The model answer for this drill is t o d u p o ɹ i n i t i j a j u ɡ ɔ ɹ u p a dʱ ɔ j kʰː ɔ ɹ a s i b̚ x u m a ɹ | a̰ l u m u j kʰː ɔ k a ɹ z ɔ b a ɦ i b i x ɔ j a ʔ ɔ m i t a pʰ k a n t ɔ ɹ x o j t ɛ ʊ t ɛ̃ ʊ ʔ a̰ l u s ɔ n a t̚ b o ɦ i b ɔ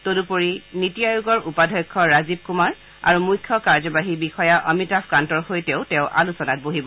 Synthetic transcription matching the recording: t o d u p o ɹ i n i t i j a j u ɡ ɔ ɹ u p a dʱ ɔ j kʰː ɔ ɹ a z i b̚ k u m a ɹ | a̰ ɹ u m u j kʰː ɔ k a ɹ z ɔ b a ɦ i b i x ɔ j a ʔ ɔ m i t a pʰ k a n t ɔ ɹ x o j t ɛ ʊ t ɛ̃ ʊ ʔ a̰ l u s ɔ n a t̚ b o ɦ i b ɔ

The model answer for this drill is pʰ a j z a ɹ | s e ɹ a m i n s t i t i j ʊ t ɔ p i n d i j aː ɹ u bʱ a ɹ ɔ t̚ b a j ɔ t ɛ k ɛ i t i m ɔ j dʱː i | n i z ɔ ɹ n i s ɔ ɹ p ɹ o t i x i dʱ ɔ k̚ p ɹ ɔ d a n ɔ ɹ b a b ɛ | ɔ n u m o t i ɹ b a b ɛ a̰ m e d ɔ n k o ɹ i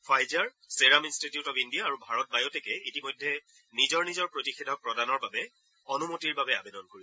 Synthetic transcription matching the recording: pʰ a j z a ɹ | s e ɹ a m i n s t i t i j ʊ t ɔ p i n d i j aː ɹ u bʱ a ɹ ɔ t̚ b a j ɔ t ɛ k ɛ i t i m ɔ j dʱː ɛ | n i z ɔ ɹ n i z ɔ ɹ p ɹ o t i x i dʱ ɔ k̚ p ɹ ɔ d a n ɔ ɹ b a b ɛ | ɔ n u m o t i ɹ b a b ɛ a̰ b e d ɔ n k o ɹ i

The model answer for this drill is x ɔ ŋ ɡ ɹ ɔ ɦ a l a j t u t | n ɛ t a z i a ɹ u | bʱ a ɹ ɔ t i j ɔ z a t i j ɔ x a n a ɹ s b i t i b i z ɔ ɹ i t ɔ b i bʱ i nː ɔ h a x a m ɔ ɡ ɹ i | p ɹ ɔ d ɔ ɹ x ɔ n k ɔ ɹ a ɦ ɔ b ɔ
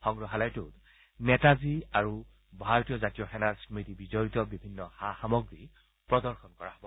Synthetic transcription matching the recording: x ɔ ŋ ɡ ɹ ɔ ɦ a l a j t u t | n ɛ t a z i a ɹ u | bʱ a ɹ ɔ t i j ɔ z a t i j ɔ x ɛ n a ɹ s m i t i b i z ɔ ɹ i t ɔ b i bʱ i nː ɔ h a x a m ɔ ɡ ɹ i | p ɹ ɔ d ɔ ɹ x ɔ n k ɔ ɹ a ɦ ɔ b ɔ

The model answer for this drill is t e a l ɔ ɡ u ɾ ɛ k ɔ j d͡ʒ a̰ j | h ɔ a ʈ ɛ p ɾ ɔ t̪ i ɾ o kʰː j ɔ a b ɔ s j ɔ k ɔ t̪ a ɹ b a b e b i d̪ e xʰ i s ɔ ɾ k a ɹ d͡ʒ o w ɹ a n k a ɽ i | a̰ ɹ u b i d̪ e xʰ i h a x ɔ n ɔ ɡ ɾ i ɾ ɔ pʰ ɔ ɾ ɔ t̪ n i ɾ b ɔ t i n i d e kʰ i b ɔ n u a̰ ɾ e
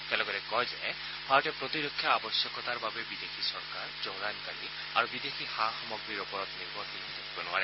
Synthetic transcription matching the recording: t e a l ɔ ɡ ɔ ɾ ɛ k ɔ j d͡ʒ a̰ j | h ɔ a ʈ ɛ p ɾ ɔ t̪ i ɾ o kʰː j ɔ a b ɔ s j ɔ k ɔ t̪ a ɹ b a b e b i d̪ e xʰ i s ɔ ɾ k a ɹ d͡ʒ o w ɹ a n k a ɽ i | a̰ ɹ u b i d̪ e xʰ i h a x ɔ m ɔ ɡ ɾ i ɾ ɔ p ɔ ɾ ɔ t̪ n i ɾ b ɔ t i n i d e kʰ i b ɔ n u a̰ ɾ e

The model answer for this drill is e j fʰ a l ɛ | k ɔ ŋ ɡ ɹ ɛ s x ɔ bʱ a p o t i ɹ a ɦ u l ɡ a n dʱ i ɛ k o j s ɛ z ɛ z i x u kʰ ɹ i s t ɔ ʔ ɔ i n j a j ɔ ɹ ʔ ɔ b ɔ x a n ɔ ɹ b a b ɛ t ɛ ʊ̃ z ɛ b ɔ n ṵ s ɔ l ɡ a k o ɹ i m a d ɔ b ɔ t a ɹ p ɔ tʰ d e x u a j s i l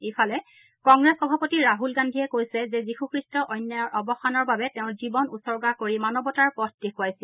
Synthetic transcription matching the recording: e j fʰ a l ɛ | k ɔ ŋ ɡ ɹ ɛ s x ɔ bʱ a p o t i ɹ a ɦ u l ɡ a n dʱ i ɛ k o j s ɛ z ɛ z i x u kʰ ɹ i s t ɔ ʔ ɔ j n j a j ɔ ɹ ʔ ɔ b ɔ x a n ɔ ɹ b a b ɛ t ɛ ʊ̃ z i b ɔ n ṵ s ɔ ɹ ɡ a k o ɹ i m a n ɔ b ɔ t a ɹ p ɔ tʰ d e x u a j s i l

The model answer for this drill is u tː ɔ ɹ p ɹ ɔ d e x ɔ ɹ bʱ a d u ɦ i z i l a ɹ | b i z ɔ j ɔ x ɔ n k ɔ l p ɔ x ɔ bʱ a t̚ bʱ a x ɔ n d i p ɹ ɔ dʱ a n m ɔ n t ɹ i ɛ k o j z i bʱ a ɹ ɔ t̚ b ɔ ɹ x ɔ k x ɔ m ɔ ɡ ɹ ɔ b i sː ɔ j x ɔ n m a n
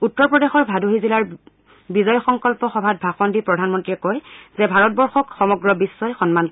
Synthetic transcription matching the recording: u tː ɔ ɹ p ɹ ɔ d e x ɔ ɹ bʱ a d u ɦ i z i l a ɹ | b i z ɔ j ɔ x ɔ ŋ k ɔ l p ɔ x ɔ bʱ a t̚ bʱ a x ɔ n d i p ɹ ɔ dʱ a n m ɔ n t ɹ i ɛ k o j z ɛ bʱ a ɹ ɔ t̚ b ɔ ɹ x ɔ k x ɔ m ɔ ɡ ɹ ɔ b i sː ɔ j x ɔ n m a n

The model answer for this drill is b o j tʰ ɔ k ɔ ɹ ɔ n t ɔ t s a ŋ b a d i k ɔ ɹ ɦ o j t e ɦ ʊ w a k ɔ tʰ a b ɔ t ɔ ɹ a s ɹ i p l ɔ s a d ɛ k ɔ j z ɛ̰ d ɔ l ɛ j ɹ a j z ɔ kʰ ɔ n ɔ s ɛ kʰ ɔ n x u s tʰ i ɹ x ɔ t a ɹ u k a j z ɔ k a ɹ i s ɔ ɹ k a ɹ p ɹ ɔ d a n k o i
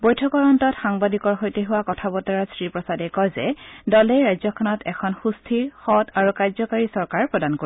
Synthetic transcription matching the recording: b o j tʰ ɔ k ɔ ɹ ɔ n t ɔ t x a ŋ b a d i k ɔ ɹ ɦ o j t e ɦ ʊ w a k ɔ tʰ a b ɔ t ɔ ɹ a s ɹ i p ɹ ɔ s a d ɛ k ɔ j z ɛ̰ d ɔ l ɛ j ɹ a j z ɔ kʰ ɔ n ɔ t ɛ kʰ ɔ n x u s tʰ i ɹ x ɔ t a ɹ u k a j z ɔ k a ɹ i s ɔ ɹ k a ɹ p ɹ ɔ d a n k o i

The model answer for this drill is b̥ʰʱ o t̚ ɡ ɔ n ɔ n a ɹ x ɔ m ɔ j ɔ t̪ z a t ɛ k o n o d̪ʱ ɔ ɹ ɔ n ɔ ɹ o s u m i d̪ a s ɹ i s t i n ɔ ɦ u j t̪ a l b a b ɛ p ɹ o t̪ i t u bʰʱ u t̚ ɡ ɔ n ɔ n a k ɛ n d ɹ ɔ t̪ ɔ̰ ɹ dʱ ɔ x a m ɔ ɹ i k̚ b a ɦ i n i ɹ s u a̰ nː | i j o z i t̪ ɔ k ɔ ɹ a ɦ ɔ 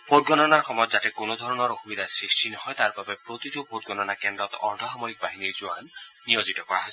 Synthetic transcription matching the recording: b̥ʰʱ o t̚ ɡ ɔ n ɔ n a ɹ x ɔ m ɔ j ɔ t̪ z a t ɛ k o n o d̪ʱ ɔ ɹ ɔ n ɔ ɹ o x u m i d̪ a s ɹ i s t i n ɔ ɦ ɔ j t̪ a ɹ b a b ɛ p ɹ o t̪ i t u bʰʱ o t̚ ɡ ɔ n ɔ n a k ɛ n d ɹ ɔ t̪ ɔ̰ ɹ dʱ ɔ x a m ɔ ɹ i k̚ b a ɦ i n i ɹ z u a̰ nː | i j o z i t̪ ɔ k ɔ ɹ a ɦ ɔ

